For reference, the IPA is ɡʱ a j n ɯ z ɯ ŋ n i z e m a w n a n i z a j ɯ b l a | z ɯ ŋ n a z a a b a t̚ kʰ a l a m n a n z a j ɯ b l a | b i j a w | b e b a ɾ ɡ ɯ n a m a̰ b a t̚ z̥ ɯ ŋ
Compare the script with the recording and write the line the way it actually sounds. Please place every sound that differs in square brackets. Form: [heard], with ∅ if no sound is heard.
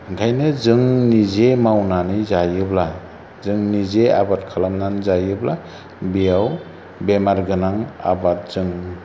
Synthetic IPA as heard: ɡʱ a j n ɯ z ɯ ŋ n i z e m a w n a n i z a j ɯ b l a | z ɯ ŋ n [i] z [e] a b a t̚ kʰ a l a m n a n z a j ɯ b l a | b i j a w | b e [m] a ɾ ɡ ɯ n a [ŋ] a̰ b a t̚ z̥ ɯ ŋ